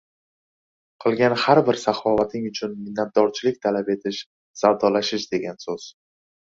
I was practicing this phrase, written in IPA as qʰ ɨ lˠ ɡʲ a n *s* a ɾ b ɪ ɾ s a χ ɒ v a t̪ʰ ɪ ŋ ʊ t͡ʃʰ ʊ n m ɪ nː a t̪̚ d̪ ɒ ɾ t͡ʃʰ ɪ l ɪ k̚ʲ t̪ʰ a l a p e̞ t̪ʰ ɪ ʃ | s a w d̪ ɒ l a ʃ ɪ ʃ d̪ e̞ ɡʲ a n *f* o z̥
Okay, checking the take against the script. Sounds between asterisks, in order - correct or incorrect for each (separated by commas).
incorrect, incorrect